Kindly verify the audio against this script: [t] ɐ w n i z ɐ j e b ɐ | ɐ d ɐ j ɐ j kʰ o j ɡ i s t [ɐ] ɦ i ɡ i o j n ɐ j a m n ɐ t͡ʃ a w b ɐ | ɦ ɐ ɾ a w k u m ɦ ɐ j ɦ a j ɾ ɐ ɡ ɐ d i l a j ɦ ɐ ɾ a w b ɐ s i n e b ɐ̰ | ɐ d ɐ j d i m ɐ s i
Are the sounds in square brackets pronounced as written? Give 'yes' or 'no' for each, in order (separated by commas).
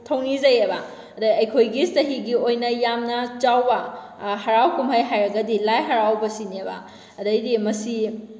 no, yes